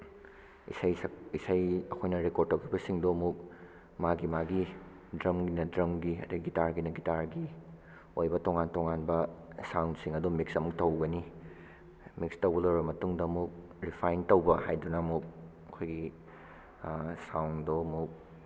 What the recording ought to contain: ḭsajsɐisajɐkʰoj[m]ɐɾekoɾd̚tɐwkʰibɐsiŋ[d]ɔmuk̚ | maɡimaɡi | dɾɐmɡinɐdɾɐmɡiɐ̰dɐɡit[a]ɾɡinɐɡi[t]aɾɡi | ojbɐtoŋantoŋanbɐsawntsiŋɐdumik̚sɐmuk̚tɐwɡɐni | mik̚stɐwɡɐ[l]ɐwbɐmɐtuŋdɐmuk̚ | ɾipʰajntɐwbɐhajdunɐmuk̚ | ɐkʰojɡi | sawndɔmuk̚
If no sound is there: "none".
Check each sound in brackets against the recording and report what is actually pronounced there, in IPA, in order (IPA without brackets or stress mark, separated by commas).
n, d, a, t, l